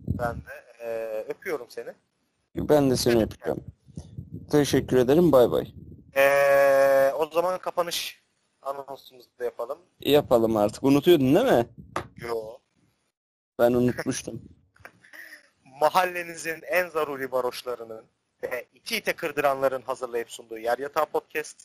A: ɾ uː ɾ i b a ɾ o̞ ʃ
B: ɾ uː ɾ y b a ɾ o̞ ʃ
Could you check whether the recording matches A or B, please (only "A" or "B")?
A